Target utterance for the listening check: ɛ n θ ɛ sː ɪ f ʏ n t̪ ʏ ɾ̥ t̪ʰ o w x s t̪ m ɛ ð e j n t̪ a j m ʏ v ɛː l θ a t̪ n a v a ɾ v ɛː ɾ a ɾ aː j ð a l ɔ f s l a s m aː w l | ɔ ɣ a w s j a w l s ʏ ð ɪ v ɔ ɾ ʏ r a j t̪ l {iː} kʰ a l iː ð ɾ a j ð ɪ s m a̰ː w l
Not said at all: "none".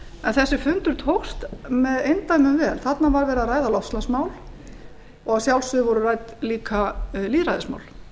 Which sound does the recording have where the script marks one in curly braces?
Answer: iː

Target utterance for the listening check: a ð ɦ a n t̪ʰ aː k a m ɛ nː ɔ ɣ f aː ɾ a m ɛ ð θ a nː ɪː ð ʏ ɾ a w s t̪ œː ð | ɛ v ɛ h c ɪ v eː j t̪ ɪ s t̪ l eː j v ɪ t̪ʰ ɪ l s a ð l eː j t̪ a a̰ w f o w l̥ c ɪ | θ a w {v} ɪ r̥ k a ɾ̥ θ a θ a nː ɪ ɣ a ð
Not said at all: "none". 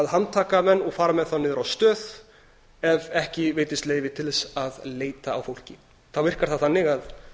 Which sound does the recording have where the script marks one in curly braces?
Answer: v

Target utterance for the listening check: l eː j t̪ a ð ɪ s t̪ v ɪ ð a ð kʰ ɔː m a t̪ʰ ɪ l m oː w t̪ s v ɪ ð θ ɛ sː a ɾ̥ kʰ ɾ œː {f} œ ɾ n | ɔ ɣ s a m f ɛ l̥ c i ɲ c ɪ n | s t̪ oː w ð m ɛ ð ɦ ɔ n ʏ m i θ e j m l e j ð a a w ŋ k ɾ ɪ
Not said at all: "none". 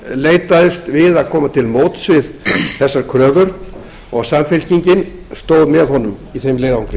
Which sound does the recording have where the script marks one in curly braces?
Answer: v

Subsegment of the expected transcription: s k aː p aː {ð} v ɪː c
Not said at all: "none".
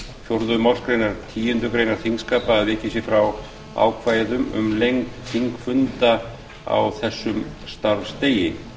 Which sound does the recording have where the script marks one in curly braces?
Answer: ð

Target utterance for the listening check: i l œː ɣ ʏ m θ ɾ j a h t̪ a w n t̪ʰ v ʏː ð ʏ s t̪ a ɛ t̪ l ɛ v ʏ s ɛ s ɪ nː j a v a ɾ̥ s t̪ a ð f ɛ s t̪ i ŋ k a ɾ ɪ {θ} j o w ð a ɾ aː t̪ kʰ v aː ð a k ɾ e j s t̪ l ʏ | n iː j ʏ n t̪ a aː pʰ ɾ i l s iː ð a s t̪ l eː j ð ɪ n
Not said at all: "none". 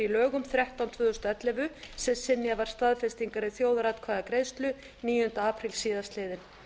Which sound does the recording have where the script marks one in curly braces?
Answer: θ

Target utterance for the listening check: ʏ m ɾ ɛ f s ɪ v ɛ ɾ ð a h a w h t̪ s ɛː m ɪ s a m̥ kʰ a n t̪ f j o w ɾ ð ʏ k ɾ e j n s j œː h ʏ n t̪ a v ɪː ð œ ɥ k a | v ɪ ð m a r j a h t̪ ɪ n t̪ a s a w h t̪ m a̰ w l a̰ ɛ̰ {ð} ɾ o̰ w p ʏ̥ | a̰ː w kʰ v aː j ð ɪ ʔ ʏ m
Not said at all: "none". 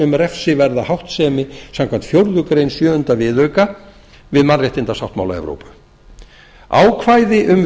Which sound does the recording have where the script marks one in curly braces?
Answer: v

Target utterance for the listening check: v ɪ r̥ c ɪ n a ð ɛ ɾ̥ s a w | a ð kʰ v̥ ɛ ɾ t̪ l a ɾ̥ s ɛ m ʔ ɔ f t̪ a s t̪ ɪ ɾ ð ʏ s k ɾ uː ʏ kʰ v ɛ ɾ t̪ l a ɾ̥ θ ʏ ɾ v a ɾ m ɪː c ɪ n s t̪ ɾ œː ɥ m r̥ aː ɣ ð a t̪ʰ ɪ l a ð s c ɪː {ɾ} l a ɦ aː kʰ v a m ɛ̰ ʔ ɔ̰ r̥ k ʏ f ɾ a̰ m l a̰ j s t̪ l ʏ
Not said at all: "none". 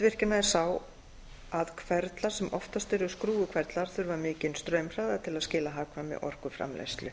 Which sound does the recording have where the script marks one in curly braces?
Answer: none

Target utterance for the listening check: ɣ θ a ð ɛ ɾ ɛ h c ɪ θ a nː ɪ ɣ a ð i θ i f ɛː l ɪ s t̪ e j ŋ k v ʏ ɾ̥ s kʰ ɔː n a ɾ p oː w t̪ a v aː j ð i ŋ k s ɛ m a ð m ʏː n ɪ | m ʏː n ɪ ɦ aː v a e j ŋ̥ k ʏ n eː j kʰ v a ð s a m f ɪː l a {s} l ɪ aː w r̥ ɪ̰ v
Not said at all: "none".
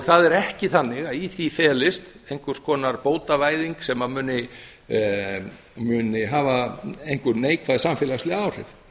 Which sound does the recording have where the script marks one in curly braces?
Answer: s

